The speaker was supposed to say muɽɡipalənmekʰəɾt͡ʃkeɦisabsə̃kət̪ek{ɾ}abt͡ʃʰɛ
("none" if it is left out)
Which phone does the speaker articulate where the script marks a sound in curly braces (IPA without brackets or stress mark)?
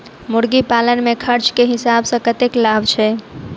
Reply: l